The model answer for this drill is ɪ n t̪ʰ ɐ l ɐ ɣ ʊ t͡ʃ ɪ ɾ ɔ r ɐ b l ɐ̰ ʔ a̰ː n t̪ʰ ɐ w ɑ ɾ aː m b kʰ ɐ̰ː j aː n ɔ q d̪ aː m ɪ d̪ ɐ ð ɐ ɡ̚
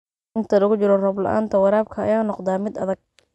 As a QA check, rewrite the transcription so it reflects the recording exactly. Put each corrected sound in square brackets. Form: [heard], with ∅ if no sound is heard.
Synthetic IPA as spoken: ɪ n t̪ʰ ɐ l ɐ ɣ ʊ t͡ʃ ɪ ɾ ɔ r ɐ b l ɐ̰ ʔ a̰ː n t̪ʰ ɐ w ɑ ɾ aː [∅] b kʰ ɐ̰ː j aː n ɔ q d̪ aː m ɪ d̪ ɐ ð ɐ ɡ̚